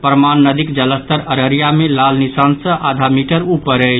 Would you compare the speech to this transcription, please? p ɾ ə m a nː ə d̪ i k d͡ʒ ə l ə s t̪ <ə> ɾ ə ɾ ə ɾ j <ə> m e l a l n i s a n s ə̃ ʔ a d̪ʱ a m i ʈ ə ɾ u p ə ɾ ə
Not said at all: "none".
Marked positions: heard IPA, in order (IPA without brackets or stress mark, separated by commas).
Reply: ə, a